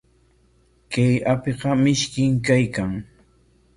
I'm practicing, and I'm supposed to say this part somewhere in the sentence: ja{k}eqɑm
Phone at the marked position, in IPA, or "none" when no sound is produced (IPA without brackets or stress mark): p